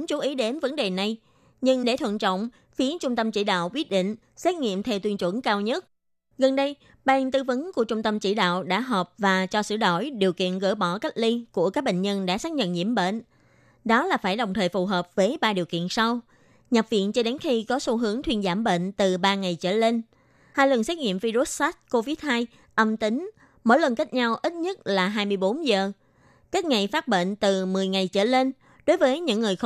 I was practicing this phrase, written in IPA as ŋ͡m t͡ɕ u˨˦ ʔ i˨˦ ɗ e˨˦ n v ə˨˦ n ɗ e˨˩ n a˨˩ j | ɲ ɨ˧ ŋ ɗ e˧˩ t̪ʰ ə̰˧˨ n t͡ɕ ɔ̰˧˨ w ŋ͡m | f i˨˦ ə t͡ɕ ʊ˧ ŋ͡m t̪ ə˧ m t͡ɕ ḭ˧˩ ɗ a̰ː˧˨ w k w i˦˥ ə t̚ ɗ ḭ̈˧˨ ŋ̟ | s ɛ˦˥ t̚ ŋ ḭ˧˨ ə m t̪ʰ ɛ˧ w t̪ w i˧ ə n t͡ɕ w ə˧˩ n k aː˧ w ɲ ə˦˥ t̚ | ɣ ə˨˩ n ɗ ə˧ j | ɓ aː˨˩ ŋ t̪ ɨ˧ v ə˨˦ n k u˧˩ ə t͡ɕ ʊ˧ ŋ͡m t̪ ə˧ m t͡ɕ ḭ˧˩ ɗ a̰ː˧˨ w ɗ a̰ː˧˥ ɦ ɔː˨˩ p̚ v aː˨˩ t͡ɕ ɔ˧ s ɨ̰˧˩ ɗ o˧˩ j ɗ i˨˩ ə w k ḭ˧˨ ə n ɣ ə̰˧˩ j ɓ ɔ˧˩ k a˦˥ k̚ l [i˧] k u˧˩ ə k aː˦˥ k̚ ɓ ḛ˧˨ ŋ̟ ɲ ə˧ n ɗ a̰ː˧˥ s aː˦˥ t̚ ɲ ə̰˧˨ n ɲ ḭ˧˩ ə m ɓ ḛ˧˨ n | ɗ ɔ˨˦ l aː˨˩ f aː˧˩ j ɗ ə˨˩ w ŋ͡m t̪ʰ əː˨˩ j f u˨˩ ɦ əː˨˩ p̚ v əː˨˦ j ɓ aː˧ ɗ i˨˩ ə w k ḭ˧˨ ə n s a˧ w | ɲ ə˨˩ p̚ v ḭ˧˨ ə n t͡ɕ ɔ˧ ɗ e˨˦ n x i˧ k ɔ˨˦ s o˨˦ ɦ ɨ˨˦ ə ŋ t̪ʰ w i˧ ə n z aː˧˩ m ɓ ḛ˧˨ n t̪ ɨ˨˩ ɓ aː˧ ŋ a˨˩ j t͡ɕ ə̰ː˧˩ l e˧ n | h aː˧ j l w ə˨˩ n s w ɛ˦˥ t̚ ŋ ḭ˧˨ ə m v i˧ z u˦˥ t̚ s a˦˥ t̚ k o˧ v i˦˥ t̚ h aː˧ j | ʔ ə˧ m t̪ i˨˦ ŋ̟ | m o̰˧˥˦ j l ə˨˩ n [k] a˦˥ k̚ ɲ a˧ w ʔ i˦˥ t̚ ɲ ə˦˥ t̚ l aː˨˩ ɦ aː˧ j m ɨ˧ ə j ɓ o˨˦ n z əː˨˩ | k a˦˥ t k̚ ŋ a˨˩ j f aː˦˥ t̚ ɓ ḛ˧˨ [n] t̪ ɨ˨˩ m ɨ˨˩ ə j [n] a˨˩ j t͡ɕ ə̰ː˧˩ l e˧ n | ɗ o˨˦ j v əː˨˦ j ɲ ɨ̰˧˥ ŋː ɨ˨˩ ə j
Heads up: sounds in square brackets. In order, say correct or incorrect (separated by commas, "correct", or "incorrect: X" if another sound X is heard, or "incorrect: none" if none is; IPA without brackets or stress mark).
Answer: correct, correct, correct, incorrect: ŋ